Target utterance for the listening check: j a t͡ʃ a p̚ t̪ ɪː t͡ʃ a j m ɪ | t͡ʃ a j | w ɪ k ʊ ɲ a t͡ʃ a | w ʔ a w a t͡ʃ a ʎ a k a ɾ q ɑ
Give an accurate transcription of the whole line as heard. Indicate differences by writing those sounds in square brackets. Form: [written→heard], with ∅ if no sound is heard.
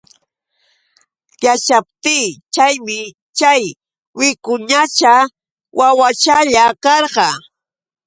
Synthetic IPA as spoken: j a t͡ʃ a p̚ t̪ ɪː t͡ʃ a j m ɪ | t͡ʃ a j | w ɪ k ʊ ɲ a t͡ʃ a | w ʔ a w a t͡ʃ a ʎ a k [a→ɑ] ɾ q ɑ